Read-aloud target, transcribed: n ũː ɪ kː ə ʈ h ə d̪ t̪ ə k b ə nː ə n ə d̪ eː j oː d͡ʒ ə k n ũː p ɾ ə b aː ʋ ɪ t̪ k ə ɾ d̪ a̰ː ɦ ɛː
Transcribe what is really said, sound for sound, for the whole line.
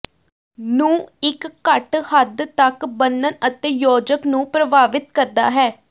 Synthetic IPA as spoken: n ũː ɪ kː ə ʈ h ə d̪ t̪ ə k b ə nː ə n ə t̪ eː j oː d͡ʒ ə k n ũː p ɾ ə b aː ʋ ɪ t̪ k ə ɾ d̪ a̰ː ɦ ɛː